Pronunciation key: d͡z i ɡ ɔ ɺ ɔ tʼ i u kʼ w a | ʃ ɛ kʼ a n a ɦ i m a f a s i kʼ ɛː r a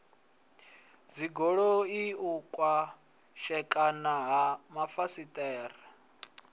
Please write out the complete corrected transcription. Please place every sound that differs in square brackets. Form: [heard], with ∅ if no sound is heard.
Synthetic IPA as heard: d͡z i ɡ ɔ ɺ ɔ [∅] i u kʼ w a | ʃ ɛ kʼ a n a ɦ [a] m a f a s i [tʼ] ɛː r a